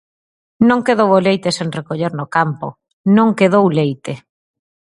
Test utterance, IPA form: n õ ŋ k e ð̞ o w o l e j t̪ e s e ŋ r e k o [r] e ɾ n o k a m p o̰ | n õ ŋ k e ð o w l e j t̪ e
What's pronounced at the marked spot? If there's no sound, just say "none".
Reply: ʎ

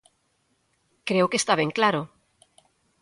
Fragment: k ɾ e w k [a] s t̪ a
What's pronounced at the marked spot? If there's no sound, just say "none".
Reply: e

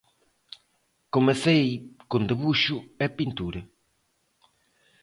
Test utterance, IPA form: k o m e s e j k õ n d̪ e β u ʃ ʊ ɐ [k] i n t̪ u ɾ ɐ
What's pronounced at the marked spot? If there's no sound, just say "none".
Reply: p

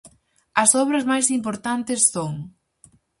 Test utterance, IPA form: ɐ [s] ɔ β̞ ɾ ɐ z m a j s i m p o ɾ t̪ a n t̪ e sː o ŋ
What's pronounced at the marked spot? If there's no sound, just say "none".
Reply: s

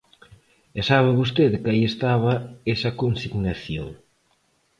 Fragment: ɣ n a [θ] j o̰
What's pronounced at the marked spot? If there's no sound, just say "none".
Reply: θ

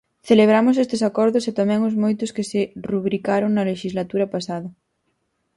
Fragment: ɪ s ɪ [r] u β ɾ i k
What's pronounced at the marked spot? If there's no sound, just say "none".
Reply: r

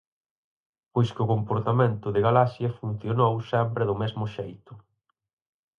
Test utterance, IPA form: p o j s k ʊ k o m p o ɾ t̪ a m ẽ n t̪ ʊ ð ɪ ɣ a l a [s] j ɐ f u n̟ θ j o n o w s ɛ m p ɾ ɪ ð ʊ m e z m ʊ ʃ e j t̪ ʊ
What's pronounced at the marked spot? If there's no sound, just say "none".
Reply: s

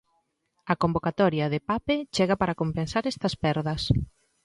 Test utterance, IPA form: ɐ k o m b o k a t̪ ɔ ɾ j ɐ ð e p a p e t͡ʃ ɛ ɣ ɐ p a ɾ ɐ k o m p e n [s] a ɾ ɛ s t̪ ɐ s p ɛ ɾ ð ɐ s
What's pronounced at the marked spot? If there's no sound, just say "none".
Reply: s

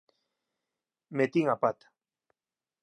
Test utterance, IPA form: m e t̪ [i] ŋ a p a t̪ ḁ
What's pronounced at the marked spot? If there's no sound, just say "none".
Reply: i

